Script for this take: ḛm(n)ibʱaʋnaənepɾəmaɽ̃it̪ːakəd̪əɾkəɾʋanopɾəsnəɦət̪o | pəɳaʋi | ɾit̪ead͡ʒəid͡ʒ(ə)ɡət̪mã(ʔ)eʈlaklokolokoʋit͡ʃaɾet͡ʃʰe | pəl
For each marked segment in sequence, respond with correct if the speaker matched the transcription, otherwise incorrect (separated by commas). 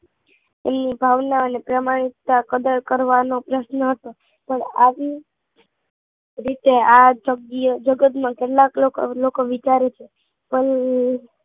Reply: correct, correct, incorrect